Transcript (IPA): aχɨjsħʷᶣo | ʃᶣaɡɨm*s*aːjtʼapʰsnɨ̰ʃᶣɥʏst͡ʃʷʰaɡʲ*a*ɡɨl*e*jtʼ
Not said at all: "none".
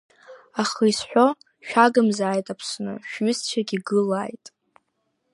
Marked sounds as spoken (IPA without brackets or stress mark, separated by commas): z, i, a